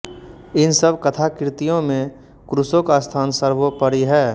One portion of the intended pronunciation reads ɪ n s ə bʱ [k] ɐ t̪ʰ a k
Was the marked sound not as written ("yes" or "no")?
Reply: no